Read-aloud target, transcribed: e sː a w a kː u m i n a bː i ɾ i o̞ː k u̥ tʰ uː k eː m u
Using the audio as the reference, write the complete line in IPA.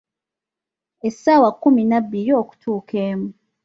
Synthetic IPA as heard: e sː a w a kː u m i n a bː i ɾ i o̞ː k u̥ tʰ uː k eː m u